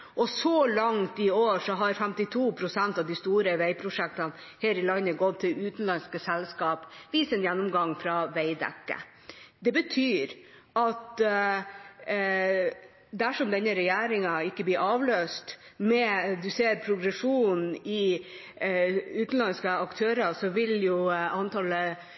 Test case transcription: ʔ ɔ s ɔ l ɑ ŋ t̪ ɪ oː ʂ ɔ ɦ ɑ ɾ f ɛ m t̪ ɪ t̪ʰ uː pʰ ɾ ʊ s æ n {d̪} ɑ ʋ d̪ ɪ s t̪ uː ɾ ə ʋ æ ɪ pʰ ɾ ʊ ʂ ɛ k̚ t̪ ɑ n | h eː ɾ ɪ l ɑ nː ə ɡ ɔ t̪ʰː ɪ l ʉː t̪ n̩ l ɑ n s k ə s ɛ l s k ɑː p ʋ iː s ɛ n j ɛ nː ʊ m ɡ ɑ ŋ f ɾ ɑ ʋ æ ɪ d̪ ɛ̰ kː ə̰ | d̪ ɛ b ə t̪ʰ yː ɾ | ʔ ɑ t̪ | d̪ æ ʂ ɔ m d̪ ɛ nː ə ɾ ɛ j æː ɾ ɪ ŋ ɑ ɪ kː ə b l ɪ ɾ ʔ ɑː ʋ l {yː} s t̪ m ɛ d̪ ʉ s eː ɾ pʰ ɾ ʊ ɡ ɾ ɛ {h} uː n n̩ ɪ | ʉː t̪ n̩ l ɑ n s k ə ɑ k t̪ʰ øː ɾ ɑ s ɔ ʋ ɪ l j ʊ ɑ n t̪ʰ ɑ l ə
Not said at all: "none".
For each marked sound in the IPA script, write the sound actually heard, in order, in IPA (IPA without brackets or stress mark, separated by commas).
t̪, øː, ʂ